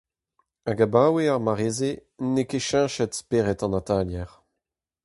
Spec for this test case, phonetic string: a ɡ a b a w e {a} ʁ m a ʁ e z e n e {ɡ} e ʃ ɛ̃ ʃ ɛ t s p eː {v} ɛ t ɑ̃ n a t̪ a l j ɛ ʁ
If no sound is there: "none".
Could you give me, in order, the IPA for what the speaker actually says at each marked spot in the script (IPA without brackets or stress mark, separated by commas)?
a, k, ʁ